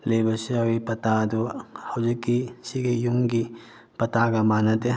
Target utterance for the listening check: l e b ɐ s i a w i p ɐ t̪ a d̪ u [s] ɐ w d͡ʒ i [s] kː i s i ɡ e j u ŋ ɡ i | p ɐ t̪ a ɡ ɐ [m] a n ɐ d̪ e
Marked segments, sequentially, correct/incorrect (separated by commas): incorrect, incorrect, correct